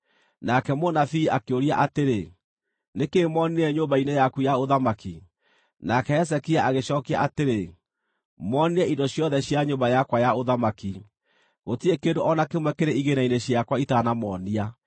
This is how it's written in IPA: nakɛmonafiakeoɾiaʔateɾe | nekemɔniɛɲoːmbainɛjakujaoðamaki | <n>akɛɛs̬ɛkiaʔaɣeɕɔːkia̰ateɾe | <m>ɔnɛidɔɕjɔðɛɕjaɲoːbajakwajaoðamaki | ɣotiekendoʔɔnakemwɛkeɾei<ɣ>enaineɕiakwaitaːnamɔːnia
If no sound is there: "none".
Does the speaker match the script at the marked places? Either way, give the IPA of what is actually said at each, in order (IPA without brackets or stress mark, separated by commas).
n, m, ɣ